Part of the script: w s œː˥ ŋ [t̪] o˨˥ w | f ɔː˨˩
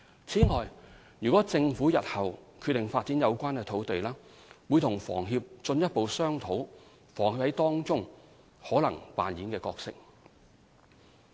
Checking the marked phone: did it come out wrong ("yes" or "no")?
yes